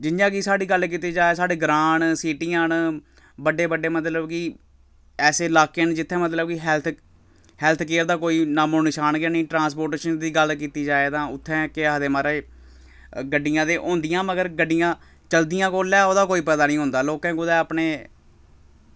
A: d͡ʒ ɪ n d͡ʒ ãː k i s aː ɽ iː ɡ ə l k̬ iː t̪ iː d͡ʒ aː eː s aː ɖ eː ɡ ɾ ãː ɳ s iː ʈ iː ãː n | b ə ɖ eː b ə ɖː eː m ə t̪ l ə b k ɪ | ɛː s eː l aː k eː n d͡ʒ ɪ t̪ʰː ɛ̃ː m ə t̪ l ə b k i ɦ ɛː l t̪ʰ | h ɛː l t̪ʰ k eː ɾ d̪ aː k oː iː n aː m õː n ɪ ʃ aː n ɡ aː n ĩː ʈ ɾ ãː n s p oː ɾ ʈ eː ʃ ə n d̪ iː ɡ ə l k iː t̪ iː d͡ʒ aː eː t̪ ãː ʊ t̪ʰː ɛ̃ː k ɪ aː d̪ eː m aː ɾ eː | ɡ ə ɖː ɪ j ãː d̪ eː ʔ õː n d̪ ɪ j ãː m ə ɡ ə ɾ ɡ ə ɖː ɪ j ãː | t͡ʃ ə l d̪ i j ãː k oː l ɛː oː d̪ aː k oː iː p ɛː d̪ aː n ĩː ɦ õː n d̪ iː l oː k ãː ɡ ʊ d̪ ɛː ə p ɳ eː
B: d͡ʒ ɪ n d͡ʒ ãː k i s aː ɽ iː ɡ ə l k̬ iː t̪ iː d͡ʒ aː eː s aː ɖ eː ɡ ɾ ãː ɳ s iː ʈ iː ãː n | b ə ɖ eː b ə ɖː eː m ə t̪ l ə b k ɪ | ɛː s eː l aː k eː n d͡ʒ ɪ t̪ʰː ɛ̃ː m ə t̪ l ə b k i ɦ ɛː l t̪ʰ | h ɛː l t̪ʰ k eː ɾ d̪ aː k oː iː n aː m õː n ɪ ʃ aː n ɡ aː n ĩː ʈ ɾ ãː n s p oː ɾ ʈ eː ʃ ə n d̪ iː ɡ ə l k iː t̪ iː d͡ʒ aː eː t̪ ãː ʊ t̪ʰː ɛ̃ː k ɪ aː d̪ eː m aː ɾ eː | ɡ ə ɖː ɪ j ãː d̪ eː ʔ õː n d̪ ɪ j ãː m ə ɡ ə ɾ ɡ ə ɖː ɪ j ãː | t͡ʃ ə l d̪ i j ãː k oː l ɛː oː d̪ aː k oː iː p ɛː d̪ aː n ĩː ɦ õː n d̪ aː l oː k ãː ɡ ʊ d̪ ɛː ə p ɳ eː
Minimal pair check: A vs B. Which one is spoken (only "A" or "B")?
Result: B